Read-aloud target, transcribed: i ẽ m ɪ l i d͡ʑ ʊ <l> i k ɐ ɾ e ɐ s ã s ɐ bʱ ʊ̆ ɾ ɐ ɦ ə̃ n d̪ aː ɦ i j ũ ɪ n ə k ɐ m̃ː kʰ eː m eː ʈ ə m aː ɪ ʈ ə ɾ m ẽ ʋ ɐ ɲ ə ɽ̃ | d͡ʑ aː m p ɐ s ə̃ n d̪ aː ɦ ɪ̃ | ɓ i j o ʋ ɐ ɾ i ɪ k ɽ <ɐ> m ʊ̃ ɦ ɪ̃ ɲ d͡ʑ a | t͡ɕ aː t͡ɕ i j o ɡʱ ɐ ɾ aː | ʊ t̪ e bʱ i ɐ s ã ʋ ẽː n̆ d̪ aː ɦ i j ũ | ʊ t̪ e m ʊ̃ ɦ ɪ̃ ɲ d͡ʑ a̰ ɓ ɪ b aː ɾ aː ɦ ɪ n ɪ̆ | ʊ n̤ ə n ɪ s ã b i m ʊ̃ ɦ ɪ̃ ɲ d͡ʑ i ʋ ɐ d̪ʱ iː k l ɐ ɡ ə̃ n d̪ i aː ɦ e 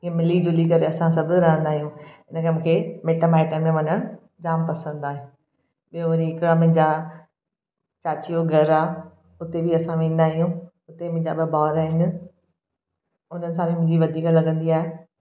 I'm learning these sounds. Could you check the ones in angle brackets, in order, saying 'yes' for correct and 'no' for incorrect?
yes, no

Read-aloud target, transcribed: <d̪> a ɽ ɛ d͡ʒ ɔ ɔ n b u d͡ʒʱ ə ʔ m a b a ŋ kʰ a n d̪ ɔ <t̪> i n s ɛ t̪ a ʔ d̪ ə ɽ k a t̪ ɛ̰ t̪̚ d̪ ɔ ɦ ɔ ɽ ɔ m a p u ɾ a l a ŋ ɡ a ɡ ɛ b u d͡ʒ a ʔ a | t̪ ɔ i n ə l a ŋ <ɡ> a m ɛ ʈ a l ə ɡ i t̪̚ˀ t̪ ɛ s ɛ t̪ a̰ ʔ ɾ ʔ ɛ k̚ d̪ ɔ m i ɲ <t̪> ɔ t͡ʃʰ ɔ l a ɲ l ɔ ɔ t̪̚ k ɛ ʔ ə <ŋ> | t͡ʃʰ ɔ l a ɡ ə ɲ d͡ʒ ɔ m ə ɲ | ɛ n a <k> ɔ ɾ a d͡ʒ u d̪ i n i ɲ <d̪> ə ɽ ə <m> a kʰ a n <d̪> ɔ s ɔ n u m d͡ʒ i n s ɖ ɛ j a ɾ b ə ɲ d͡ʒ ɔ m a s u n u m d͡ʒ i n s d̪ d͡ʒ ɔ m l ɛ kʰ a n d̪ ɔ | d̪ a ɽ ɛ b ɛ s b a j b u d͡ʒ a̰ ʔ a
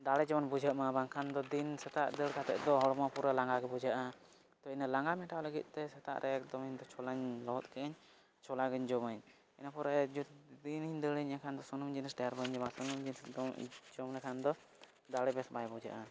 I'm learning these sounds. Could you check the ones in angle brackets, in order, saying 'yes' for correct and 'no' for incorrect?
yes, no, yes, no, no, no, yes, no, yes

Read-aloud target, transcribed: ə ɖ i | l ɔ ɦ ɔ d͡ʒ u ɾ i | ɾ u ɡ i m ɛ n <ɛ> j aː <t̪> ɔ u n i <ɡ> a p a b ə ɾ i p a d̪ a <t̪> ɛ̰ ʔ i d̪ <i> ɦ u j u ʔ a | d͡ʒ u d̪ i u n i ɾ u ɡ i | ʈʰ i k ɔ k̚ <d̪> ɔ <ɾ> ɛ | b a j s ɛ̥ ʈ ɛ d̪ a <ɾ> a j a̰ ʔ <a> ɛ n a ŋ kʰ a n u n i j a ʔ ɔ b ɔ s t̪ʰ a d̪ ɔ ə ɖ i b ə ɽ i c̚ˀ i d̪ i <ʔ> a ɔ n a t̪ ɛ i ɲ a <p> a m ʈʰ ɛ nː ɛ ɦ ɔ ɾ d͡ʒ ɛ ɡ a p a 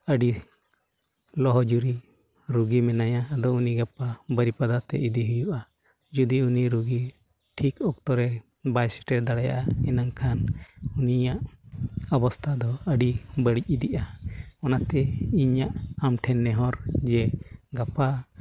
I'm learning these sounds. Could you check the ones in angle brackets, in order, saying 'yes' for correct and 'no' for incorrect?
no, no, yes, yes, yes, no, yes, no, yes, yes, no

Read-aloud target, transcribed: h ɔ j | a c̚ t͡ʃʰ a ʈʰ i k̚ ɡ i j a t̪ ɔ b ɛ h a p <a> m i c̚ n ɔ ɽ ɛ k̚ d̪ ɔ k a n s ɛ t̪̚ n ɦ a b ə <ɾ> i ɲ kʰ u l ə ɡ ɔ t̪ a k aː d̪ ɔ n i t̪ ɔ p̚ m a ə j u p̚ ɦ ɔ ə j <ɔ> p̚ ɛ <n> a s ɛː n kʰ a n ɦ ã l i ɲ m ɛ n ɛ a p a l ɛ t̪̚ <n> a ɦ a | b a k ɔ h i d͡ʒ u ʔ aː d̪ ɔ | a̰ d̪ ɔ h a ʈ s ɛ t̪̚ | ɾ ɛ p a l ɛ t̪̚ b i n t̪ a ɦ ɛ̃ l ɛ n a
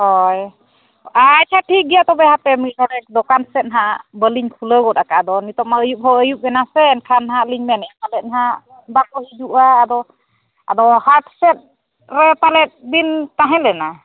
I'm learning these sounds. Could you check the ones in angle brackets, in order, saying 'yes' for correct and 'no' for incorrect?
no, no, no, yes, yes

